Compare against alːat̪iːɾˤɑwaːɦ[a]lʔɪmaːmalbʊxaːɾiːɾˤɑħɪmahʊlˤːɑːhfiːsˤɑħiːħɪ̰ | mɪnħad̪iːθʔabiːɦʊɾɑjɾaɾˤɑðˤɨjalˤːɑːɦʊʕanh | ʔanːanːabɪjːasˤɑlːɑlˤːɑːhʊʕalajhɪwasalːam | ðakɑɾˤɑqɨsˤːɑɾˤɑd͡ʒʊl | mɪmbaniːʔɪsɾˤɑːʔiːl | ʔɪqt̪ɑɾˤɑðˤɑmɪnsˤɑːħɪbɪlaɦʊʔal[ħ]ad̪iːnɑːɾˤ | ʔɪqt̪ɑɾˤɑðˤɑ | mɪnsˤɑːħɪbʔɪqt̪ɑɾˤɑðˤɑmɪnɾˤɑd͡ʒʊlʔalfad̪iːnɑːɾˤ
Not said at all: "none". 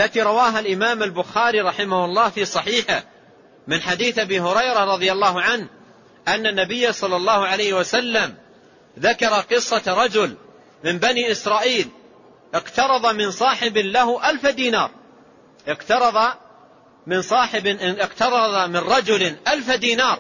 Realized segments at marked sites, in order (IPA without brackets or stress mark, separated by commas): a, f